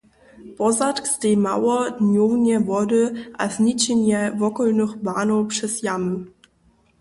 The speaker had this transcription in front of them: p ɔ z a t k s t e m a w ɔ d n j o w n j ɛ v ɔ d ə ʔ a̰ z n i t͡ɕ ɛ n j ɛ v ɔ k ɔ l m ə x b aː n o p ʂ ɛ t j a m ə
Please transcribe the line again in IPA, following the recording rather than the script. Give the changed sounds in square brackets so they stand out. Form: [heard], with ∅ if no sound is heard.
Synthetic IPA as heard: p ɔ z a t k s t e m a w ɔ d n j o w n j ɛ v ɔ d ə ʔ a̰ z n i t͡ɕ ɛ n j ɛ v ɔ k ɔ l [n] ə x b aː n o p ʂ ɛ [s] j a m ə